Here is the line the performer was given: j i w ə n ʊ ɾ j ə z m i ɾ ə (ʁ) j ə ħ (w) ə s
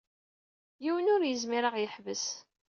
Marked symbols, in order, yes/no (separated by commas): yes, no